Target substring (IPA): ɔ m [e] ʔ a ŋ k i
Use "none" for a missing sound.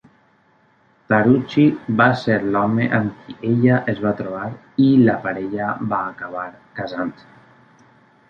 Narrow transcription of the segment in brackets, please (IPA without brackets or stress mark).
e